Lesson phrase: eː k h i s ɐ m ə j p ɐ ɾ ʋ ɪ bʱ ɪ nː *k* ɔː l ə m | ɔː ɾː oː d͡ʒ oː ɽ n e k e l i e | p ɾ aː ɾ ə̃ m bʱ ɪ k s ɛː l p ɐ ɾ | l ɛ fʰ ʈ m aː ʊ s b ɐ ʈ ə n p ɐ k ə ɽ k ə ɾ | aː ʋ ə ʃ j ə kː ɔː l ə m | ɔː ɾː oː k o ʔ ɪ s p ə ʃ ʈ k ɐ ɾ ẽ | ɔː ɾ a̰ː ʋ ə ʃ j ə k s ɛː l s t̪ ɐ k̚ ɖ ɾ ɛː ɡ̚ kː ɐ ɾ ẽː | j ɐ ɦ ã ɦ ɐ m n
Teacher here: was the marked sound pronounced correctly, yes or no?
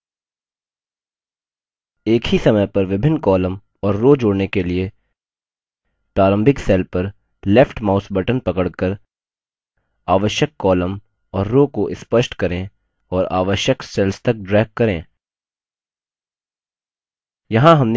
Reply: yes